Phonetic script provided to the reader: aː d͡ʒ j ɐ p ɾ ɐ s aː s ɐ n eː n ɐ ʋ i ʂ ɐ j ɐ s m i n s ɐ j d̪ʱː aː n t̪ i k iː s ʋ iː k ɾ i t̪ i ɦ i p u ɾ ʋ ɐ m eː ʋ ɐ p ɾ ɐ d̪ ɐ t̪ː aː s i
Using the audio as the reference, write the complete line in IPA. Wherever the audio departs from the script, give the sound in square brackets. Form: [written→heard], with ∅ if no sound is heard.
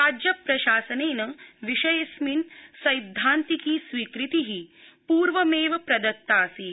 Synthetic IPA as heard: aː d͡ʒ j ɐ p ɾ ɐ [s→ʃ] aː s ɐ n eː n ɐ ʋ i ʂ ɐ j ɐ s m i n s ɐ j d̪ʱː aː n t̪ i k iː s ʋ iː k ɾ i t̪ i ɦ i p [u→uː] ɾ ʋ ɐ m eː ʋ ɐ p ɾ ɐ d̪ ɐ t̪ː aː s i